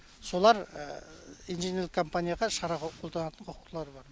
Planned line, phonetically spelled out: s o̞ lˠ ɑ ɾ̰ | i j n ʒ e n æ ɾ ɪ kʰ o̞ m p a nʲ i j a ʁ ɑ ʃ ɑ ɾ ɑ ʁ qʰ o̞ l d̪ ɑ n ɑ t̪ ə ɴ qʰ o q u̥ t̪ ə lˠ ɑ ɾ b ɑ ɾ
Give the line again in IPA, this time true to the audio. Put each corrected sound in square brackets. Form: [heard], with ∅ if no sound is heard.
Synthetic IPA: s o̞ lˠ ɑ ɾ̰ | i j n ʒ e n [e] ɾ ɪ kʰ o̞ m p a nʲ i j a ʁ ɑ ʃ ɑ ɾ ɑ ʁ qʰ o̞ l d̪ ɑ n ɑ t̪ ə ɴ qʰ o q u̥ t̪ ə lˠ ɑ ɾ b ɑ ɾ

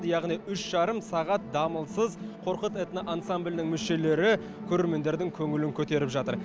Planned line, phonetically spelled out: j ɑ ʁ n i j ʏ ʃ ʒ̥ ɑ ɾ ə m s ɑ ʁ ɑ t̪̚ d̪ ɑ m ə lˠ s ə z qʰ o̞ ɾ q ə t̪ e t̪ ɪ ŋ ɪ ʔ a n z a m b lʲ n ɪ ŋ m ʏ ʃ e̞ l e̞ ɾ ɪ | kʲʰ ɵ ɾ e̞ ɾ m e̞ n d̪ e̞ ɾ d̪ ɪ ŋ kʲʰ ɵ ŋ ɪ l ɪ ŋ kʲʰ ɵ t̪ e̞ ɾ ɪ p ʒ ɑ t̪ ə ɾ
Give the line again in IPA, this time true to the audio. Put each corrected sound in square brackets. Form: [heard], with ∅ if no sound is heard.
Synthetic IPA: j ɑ ʁ n i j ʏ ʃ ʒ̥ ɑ ɾ ə m s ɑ ʁ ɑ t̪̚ d̪ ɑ m ə lˠ s ə z qʰ o̞ ɾ q ə t̪ e t̪ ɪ [n] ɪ ʔ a n [s] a m b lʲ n ɪ ŋ m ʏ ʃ e̞ l e̞ ɾ ɪ | kʲʰ ɵ ɾ e̞ ɾ m e̞ n d̪ e̞ ɾ d̪ ɪ ŋ kʲʰ ɵ ŋ ɪ l ɪ ŋ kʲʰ ɵ t̪ e̞ ɾ ɪ p ʒ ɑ t̪ ə ɾ

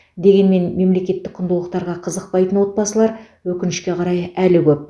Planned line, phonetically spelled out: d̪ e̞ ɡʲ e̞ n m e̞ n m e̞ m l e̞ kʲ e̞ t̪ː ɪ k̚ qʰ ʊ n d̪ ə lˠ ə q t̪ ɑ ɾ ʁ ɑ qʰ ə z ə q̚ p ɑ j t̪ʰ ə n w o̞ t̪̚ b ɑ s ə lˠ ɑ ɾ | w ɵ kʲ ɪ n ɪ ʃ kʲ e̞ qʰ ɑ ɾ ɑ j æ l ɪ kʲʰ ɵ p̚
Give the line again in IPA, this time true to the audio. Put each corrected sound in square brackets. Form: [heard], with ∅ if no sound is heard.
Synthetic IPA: d̪ e̞ ɡʲ e̞ n m e̞ n m e̞ m l e̞ kʲ e̞ t̪ː ɪ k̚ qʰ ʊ n d̪ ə lˠ ə q t̪ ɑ ɾ ʁ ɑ qʰ ə z ə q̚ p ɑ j [t̪] ə n w o̞ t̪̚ b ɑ s ə lˠ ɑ ɾ | w ɵ kʲ ɪ n ɪ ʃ kʲ e̞ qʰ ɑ ɾ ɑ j æ l ɪ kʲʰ ɵ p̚

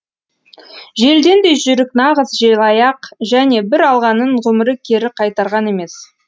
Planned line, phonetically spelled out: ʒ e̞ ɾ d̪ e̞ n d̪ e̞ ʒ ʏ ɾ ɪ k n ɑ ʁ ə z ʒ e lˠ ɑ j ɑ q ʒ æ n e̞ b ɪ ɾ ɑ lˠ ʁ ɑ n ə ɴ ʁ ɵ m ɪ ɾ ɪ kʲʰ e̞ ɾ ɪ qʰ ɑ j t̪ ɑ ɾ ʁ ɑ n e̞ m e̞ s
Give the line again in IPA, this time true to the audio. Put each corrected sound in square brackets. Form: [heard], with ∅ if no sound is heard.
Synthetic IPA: ʒ e̞ [l] d̪ e̞ n d̪ e̞ ʒ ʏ ɾ ɪ k n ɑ ʁ ə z ʒ e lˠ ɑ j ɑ q ʒ æ n e̞ b ɪ ɾ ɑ lˠ ʁ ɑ n ə ɴ ʁ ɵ m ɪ ɾ ɪ kʲʰ e̞ ɾ ɪ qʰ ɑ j t̪ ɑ ɾ ʁ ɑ n e̞ m e̞ s

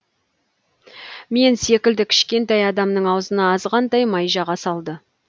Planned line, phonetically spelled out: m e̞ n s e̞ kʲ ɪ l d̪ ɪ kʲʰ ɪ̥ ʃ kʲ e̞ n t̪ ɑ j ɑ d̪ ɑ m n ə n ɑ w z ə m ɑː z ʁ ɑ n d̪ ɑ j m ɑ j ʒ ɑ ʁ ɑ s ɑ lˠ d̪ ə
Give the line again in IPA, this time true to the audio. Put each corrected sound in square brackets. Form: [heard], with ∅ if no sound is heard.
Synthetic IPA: m e̞ n s e̞ kʲ ɪ l d̪ ɪ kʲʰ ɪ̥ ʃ kʲ e̞ n t̪ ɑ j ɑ d̪ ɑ m n ə [ɴ] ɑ w z ə [n] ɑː z ʁ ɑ n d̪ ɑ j m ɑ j ʒ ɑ ʁ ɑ s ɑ lˠ d̪ ə

